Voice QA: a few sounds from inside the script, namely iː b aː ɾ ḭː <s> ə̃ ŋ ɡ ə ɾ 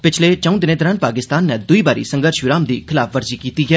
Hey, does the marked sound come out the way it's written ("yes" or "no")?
yes